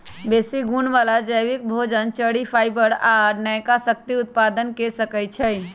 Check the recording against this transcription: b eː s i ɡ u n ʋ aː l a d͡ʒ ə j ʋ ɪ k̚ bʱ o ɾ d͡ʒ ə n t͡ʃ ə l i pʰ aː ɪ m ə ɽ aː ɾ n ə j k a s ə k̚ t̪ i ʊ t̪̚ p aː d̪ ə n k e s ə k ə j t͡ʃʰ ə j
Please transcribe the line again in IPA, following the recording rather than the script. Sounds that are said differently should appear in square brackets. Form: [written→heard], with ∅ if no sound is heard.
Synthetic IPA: b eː s i ɡ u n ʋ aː l a d͡ʒ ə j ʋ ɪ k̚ bʱ o [ɾ→∅] d͡ʒ ə n t͡ʃ ə [l→ɽ] i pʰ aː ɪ [m→b] ə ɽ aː ɾ n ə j k a s ə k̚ t̪ i ʊ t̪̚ p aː d̪ ə n k e s ə k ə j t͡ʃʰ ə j